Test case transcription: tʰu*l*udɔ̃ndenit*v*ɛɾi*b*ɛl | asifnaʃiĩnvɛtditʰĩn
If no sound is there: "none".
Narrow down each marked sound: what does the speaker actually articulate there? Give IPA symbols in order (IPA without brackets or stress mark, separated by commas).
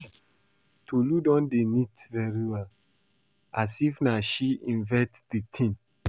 l, v, w